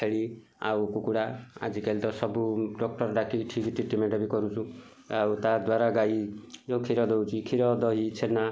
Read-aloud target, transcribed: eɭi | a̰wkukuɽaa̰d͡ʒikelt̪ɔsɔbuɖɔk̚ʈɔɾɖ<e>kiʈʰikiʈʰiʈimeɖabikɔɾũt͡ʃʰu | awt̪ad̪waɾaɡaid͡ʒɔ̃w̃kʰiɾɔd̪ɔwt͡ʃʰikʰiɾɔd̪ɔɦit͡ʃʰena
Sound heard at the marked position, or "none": a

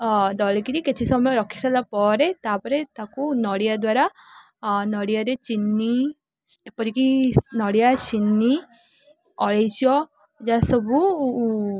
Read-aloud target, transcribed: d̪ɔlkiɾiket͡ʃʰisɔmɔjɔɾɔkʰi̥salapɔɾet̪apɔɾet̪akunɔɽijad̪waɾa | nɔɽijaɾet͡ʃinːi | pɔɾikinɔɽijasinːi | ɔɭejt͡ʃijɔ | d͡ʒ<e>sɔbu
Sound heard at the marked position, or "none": a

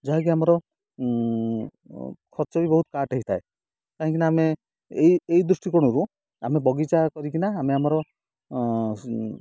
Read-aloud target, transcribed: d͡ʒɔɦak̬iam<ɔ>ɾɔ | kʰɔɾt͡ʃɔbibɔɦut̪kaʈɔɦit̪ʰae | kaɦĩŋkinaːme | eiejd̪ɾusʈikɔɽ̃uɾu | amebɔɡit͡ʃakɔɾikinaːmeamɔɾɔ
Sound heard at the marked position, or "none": ɔ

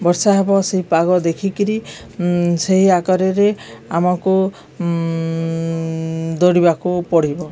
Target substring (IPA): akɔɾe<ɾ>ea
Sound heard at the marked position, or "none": ɾ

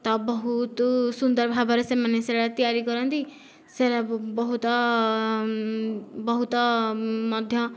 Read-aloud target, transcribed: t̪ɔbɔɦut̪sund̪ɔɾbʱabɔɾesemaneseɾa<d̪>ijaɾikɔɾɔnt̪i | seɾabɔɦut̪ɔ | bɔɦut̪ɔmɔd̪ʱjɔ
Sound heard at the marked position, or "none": t̪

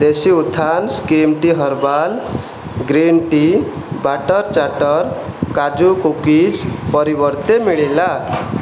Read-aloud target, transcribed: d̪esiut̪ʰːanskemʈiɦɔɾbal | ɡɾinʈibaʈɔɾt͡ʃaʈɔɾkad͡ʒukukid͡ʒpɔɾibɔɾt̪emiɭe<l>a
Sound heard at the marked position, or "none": l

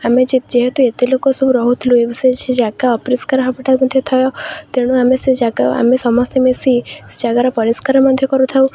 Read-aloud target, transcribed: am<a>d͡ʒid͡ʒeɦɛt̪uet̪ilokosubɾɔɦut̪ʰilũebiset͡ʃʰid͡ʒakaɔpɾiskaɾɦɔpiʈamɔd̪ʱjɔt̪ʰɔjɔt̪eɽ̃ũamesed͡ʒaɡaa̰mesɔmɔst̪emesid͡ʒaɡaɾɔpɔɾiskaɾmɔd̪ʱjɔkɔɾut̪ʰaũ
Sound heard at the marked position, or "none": e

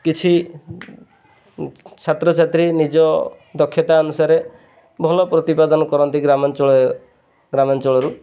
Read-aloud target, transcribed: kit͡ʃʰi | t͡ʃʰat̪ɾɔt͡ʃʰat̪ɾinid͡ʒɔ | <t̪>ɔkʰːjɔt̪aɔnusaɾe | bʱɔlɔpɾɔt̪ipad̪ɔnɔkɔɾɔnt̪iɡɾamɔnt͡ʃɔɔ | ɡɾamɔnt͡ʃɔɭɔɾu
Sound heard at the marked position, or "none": d̪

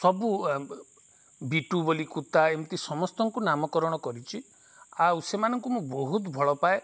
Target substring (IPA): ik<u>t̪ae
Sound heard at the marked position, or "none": u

